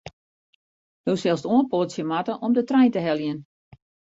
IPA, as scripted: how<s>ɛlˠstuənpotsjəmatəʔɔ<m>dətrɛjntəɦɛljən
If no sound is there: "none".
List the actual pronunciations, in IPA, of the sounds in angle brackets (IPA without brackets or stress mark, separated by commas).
s, m